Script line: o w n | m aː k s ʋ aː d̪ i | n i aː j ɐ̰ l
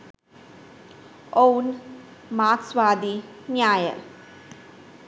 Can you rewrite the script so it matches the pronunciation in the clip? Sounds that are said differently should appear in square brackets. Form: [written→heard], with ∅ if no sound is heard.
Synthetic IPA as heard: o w n | m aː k s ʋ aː d̪ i | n [i→j] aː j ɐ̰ l